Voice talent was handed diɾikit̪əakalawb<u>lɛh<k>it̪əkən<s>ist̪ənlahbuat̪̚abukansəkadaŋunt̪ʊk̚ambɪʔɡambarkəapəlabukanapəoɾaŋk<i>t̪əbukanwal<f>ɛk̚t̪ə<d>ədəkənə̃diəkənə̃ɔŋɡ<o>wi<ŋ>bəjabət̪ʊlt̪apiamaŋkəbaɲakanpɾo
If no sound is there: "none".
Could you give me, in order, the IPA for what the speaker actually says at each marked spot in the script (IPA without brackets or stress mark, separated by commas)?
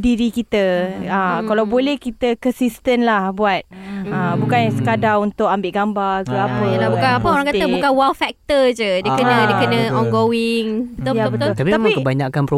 o, k, s, a, f, d͡ʒ, o, ŋ